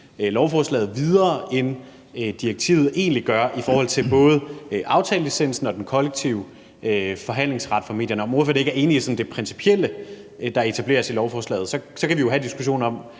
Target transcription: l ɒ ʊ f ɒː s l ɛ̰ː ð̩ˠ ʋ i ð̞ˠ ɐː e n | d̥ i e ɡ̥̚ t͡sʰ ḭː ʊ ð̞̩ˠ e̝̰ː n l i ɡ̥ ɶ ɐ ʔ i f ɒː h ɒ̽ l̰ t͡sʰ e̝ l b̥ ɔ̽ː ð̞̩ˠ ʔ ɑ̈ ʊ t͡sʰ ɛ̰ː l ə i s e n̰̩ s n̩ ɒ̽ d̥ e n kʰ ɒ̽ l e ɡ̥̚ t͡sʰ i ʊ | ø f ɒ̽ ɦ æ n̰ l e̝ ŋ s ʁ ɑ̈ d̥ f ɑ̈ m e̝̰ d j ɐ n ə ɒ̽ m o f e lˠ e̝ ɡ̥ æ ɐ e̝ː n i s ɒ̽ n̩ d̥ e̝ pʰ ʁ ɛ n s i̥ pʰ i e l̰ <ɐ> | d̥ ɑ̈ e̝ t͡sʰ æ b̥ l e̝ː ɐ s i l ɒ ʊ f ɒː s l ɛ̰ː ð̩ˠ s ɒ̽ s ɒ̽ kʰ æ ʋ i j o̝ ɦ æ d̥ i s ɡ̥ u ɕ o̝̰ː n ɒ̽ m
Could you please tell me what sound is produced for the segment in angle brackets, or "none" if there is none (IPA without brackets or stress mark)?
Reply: ə